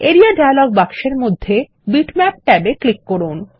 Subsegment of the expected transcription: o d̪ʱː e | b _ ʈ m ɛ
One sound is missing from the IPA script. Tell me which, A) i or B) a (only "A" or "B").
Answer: A